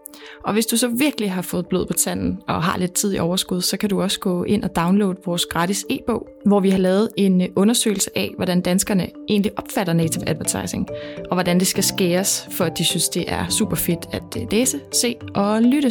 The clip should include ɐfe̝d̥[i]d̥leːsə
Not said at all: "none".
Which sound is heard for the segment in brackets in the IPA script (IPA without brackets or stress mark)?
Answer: æ